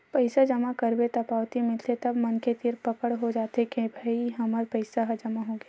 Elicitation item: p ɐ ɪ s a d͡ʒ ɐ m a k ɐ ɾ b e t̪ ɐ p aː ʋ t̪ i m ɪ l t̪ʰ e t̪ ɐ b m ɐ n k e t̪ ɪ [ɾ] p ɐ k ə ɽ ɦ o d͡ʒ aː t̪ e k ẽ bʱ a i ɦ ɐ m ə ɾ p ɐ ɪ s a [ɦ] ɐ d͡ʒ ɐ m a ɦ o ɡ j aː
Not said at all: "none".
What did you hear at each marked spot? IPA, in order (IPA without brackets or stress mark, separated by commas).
ɾ, ɦ